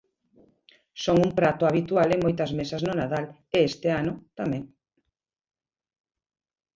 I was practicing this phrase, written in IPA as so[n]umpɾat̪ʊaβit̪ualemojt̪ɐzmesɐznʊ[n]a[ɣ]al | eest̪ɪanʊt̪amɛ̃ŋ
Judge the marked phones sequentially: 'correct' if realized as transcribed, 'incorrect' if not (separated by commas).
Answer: incorrect, correct, incorrect